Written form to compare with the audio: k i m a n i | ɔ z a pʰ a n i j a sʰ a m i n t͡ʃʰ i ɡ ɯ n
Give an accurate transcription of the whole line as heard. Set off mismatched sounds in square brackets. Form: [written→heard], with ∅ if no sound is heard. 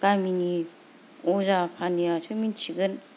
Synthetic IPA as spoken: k [i→a] m [a→i] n i | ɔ z a pʰ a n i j a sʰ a m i n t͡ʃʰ i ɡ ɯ n